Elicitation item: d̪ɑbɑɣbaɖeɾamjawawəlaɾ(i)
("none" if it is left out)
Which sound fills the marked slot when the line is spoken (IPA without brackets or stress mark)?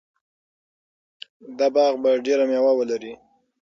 i